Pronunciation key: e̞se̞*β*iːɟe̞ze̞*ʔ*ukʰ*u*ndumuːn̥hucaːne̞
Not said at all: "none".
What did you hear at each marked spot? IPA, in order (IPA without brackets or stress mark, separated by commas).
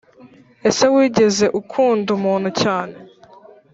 w, ʔ, uː